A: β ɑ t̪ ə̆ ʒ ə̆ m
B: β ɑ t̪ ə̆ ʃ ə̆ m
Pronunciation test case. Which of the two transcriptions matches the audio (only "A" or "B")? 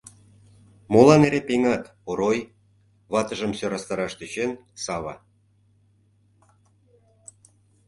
A